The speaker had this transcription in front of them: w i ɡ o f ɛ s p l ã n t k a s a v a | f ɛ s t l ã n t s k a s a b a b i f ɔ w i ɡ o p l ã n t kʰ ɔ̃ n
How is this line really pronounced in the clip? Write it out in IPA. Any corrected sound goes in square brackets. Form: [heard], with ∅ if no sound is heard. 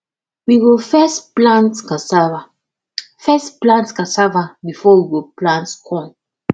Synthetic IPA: w i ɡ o f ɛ s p l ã n t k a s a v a | f ɛ s [p] l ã n t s k a s a [v] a b i f ɔ w i ɡ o p l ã n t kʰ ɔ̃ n